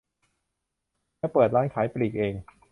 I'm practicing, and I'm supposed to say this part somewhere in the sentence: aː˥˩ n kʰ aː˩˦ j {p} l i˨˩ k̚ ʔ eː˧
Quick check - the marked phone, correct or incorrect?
correct